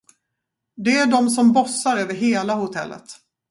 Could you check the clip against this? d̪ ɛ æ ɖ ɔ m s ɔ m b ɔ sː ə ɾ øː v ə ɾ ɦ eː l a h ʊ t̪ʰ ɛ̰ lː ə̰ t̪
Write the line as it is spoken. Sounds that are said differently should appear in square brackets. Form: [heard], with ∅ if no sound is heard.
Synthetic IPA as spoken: d̪ ɛ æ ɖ ɔ m s ɔ m b ɔ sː [a] ɾ øː v ə ɾ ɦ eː l a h ʊ t̪ʰ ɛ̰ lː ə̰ t̪

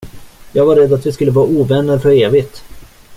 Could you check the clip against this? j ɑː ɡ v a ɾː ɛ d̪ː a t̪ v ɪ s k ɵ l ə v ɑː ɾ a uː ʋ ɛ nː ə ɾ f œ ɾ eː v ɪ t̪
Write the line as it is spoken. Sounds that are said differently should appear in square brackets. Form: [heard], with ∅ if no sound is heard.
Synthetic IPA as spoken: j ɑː ɡ v a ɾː ɛ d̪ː a t̪ v ɪ s k ɵ [lː] ə v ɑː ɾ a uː [v] ɛ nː ə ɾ f œ ɾ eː v ɪ t̪

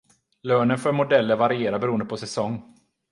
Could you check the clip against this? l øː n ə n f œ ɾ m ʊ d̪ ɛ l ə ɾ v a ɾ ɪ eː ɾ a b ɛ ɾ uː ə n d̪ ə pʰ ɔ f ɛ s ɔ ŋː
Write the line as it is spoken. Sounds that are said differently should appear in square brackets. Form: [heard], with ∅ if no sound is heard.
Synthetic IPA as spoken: l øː n ə n f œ ɾ m ʊ d̪ ɛ [lː] ə ɾ v a ɾ ɪ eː ɾ a b ɛ ɾ uː ə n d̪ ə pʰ ɔ [s] ɛ s ɔ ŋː

